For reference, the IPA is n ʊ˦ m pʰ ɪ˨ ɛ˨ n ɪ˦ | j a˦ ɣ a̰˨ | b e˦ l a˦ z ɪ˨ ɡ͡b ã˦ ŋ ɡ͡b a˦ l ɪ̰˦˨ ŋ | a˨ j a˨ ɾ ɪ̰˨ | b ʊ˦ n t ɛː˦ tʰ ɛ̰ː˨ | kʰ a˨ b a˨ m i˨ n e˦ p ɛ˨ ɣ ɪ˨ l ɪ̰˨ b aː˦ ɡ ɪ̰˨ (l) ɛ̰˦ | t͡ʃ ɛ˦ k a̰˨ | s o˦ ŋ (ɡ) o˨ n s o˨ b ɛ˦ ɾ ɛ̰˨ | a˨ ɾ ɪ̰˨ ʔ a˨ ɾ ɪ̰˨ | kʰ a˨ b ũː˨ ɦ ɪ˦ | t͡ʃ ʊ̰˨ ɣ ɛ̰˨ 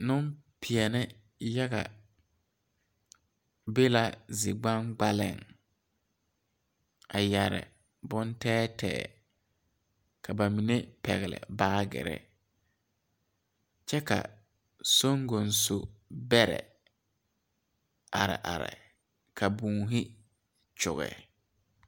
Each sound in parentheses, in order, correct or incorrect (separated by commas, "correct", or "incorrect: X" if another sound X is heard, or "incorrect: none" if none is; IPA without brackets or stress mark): incorrect: ɾ, correct